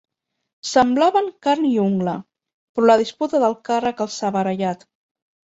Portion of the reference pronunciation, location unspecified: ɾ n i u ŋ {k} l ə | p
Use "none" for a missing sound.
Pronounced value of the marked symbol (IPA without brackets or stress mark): ɡ